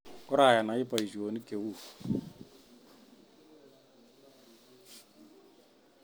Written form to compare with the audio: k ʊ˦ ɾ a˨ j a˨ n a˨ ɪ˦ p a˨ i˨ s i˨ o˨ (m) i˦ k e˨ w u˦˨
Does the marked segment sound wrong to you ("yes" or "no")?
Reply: yes